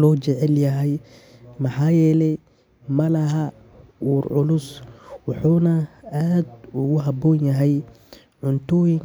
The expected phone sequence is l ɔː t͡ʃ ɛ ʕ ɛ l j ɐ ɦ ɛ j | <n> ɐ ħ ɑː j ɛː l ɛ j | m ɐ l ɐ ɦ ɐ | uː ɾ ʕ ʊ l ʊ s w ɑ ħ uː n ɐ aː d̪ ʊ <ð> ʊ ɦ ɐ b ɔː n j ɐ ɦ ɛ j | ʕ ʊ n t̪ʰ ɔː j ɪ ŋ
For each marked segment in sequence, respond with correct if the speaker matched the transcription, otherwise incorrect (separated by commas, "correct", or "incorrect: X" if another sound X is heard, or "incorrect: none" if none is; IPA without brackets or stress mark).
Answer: incorrect: m, incorrect: ɣ